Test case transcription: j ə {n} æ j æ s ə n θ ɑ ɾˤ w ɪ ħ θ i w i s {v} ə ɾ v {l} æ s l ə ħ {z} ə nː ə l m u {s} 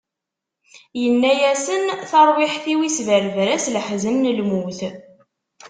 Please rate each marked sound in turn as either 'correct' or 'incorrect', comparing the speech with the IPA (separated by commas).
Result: incorrect, correct, incorrect, correct, incorrect